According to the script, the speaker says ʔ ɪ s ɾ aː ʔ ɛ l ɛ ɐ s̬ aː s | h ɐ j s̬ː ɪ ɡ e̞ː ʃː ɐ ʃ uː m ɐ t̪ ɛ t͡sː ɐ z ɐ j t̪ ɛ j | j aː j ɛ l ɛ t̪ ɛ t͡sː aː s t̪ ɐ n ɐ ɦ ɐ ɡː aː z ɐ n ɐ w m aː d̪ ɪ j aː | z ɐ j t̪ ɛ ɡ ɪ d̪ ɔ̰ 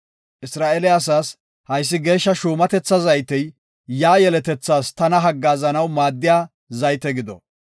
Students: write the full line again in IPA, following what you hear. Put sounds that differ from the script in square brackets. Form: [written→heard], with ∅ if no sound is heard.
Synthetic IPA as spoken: ʔ ɪ s ɾ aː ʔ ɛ l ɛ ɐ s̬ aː s | h ɐ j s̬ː ɪ ɡ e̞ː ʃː ɐ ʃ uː m ɐ t̪ ɛ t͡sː ɐ z ɐ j t̪ ɛ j | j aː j ɛ l ɛ t̪ ɛ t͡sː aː s t̪ ɐ n ɐ ɦ ɐ ɡː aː z ɐ n ɐ w m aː [d̪→d̪ː] ɪ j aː | z ɐ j t̪ ɛ ɡ ɪ d̪ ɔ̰